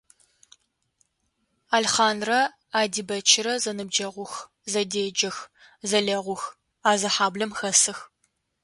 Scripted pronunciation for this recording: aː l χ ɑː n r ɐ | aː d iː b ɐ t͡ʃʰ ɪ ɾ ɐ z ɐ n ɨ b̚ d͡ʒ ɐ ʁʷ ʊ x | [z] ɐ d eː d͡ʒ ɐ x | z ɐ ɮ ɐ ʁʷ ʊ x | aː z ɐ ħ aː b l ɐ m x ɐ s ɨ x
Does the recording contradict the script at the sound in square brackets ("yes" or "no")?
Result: no